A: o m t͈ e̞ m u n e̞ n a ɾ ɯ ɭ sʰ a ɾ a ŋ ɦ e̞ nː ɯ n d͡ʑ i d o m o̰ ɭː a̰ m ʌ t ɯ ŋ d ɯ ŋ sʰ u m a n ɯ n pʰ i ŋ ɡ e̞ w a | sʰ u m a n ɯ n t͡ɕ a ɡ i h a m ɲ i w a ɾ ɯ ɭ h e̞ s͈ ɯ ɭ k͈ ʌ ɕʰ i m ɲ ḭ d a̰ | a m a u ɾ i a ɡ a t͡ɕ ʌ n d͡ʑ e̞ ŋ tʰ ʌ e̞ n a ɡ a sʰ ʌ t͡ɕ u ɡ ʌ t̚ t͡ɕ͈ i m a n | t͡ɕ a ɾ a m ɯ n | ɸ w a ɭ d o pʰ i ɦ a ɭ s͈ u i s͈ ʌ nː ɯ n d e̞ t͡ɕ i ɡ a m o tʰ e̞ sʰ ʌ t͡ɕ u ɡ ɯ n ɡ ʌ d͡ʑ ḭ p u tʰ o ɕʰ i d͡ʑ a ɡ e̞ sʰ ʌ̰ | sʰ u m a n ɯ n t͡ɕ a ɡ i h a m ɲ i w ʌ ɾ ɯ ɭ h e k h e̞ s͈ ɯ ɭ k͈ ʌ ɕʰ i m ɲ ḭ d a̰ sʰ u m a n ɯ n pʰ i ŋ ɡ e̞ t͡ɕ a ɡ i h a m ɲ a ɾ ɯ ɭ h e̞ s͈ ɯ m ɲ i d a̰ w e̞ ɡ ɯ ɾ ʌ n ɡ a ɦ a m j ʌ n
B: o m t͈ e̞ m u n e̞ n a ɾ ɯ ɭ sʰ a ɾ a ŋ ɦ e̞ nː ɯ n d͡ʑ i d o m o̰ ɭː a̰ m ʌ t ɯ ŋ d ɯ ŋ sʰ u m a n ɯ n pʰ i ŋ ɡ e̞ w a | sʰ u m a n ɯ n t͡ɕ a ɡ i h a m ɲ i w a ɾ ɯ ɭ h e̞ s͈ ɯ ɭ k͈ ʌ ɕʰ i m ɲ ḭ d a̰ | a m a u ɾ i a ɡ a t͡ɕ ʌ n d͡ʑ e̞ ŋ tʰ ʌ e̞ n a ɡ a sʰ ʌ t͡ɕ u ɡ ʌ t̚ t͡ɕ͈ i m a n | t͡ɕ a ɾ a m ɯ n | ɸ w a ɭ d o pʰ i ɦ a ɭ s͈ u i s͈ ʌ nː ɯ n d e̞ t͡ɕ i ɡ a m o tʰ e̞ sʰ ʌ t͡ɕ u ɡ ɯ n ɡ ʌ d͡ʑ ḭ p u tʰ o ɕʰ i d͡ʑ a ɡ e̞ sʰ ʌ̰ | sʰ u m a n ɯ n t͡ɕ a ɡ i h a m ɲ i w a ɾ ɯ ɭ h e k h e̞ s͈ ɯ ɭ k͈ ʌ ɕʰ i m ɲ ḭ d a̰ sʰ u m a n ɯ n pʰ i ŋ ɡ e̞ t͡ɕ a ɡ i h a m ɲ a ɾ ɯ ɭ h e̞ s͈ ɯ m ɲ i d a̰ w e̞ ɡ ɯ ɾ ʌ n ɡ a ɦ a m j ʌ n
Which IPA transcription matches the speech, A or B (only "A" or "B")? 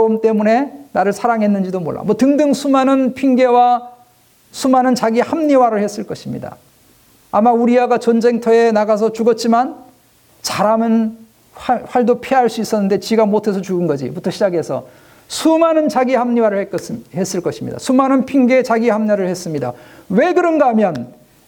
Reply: B